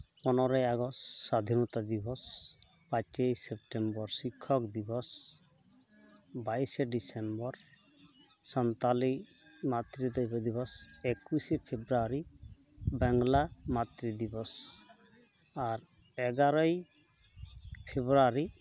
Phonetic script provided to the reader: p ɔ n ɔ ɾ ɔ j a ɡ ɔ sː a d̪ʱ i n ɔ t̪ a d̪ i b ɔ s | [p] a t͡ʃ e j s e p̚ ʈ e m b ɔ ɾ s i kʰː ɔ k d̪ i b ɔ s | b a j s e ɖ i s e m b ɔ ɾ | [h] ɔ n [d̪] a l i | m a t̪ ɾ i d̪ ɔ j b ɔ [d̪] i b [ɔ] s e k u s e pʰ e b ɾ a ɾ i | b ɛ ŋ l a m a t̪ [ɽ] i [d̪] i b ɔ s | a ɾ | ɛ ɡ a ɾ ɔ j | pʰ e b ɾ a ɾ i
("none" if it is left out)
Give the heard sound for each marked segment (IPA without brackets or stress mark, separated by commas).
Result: p, s, t̪, d̪, ɔ, ɾ, d̪